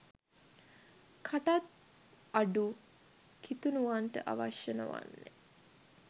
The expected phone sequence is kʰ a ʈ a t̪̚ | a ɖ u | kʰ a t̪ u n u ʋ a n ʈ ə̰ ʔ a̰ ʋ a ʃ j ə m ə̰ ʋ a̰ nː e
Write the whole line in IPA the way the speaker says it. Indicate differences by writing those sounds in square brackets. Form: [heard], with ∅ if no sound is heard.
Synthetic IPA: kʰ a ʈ a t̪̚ | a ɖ u | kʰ [i] t̪ u n u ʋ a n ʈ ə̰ ʔ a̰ ʋ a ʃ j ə [n] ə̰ ʋ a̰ nː e